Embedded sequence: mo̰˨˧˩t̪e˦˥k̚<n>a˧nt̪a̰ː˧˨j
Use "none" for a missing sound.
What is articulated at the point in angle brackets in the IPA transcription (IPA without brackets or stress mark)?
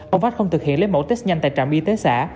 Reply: ɲ